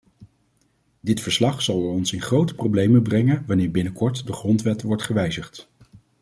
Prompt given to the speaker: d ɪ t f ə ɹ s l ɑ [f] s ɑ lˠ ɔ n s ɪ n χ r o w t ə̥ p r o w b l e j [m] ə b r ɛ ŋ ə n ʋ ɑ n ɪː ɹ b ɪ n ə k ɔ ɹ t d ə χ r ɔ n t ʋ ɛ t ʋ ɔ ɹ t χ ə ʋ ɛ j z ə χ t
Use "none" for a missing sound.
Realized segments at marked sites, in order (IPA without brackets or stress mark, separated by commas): χ, m